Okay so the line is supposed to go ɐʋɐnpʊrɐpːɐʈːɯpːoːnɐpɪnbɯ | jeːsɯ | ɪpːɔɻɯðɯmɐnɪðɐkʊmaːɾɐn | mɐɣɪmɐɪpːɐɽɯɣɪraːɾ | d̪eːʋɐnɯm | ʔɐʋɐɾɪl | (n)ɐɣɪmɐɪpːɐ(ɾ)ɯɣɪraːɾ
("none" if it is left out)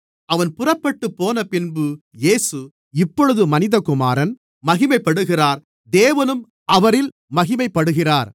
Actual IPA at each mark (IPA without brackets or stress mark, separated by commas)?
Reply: m, ɽ